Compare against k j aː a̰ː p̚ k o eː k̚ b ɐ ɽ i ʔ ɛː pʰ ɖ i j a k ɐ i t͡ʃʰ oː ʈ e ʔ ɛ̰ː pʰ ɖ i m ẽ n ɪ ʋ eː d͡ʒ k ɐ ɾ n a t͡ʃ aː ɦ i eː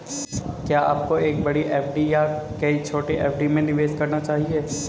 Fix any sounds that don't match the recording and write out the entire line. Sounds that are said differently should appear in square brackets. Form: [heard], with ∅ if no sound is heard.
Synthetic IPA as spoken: k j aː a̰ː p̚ k o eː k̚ b ɐ ɽ i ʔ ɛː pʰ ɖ i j a k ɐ i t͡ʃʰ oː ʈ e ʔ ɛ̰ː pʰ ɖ i m ẽ n ɪ ʋ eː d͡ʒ k ɐ ɾ n a t͡ʃ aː ɦ i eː